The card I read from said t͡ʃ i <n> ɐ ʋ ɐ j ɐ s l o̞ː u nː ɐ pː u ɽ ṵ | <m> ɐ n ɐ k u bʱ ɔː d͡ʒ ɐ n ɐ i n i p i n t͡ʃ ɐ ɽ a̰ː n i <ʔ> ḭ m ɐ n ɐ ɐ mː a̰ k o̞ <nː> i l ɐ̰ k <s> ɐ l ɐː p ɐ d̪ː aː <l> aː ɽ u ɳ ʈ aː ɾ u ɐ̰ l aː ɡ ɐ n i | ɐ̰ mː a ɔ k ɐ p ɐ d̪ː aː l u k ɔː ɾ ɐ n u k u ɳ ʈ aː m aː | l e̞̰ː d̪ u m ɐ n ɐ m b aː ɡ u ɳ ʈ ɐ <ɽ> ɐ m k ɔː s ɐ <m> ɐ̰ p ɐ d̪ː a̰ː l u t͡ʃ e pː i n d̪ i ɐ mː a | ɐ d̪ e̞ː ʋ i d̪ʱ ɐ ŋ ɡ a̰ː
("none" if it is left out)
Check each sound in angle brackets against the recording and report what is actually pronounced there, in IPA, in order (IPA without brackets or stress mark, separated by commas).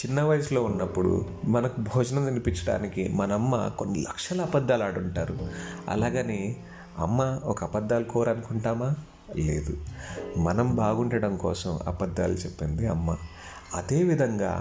nː, m, k, nː, ʂ, l, ɽ, m